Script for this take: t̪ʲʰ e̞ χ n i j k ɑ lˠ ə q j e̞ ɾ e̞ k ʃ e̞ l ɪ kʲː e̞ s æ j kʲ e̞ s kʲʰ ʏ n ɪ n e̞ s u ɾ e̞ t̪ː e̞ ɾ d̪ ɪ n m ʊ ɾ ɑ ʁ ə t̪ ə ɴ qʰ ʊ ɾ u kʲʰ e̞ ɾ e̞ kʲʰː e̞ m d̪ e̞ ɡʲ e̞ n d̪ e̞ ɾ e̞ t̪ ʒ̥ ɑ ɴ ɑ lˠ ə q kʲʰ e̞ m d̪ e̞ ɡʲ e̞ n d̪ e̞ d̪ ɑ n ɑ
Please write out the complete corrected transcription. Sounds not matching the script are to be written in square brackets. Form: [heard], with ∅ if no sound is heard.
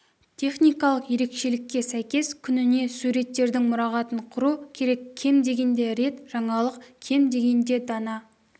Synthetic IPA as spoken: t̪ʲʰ e̞ χ n i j k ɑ lˠ ə q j e̞ ɾ e̞ k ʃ e̞ l ɪ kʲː e̞ s æ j kʲ e̞ s kʲʰ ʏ n ɪ n e̞ s u ɾ e̞ t̪ː e̞ ɾ d̪ ɪ [ŋ] m ʊ ɾ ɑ ʁ [ɑ] t̪ ə ɴ qʰ ʊ ɾ u kʲʰ e̞ ɾ e̞ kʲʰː e̞ m d̪ e̞ ɡʲ e̞ n d̪ e̞ ɾ e̞ t̪ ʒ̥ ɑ ɴ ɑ lˠ ə q kʲʰ e̞ m d̪ e̞ ɡʲ e̞ n d̪ e̞ d̪ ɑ n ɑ

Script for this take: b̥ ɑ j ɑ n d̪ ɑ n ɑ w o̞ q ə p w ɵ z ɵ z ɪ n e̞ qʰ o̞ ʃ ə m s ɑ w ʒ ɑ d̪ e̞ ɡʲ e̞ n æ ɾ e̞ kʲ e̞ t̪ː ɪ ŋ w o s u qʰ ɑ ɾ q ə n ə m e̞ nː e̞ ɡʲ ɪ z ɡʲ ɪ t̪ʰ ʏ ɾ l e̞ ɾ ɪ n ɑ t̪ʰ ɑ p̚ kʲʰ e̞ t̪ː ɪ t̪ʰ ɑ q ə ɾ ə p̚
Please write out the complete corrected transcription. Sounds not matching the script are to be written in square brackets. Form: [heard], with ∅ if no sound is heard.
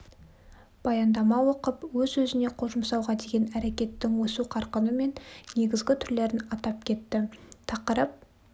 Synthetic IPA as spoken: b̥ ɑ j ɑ n d̪ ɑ [m] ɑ w o̞ q ə p w ɵ z ɵ z ɪ n e̞ qʰ o̞ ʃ ə m s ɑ w [ʁ] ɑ d̪ e̞ ɡʲ e̞ n æ ɾ e̞ kʲ e̞ t̪ː ɪ ŋ w o s u qʰ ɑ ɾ q ə n ə m e̞ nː e̞ ɡʲ ɪ z ɡʲ ɪ t̪ʰ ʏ ɾ l e̞ ɾ ɪ n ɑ [t̪] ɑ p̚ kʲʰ e̞ t̪ː ɪ t̪ʰ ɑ q ə ɾ ə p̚

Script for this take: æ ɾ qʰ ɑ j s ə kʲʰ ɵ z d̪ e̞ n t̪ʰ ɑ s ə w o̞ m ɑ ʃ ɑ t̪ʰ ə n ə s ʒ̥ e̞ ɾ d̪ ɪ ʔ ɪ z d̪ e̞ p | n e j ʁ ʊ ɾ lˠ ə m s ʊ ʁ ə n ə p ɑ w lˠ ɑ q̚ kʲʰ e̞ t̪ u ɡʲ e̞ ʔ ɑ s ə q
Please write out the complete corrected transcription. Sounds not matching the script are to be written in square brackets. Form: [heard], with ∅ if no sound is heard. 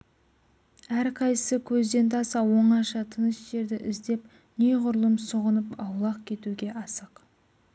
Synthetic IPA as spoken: æ ɾ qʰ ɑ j s ə kʲʰ ɵ z d̪ e̞ n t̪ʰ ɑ s [ɑ] w o̞ [ɴ] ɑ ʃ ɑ t̪ʰ ə n ə s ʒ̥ e̞ ɾ d̪ ɪ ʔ ɪ z d̪ e̞ p | n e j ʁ ʊ ɾ lˠ ə m s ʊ ʁ ə n ə p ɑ w lˠ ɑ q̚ kʲʰ e̞ t̪ u ɡʲ e̞ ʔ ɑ s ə q

